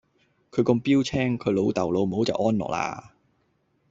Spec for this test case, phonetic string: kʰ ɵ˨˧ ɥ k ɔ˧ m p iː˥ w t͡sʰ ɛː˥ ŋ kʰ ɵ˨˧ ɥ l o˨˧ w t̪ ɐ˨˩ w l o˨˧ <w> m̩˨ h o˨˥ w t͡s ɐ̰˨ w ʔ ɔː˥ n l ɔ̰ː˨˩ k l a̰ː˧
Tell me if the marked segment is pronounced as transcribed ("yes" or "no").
yes